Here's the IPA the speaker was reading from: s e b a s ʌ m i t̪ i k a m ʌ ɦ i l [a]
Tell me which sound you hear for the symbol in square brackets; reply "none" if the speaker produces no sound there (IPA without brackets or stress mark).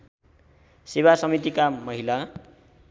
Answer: a